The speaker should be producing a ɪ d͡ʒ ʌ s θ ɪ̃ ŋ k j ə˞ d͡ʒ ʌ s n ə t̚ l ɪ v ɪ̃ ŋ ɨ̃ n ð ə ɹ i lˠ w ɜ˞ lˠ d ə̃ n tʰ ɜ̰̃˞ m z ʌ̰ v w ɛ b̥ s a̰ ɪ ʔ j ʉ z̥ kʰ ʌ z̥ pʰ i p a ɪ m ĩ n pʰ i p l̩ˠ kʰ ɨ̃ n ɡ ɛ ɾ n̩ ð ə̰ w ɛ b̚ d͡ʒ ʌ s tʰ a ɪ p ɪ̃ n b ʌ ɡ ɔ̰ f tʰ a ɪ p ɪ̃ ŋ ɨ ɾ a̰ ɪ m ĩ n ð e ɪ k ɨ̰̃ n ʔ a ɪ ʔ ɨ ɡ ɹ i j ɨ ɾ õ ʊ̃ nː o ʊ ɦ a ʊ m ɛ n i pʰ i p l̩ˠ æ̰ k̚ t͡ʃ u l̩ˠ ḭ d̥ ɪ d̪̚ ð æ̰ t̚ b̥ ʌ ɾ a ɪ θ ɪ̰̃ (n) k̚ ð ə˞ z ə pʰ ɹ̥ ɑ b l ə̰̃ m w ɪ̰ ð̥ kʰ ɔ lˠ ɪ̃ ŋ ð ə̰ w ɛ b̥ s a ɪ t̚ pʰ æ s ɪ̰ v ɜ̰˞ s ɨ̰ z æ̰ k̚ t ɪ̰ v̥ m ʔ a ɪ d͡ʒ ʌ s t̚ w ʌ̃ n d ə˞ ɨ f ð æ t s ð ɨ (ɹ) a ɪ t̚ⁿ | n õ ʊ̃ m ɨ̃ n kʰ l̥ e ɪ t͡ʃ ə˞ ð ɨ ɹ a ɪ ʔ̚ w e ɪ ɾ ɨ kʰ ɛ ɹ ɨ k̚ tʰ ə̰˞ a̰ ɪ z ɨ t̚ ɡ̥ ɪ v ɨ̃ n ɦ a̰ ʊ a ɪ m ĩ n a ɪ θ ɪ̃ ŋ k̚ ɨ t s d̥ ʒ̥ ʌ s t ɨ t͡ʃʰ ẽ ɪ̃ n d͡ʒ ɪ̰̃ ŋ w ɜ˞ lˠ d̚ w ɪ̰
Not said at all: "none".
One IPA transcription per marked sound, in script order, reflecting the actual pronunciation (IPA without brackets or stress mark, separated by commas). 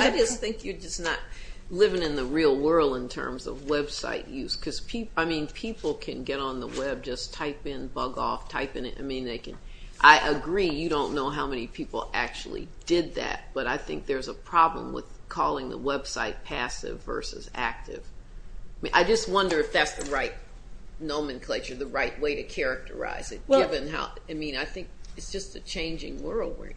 ŋ, ɹ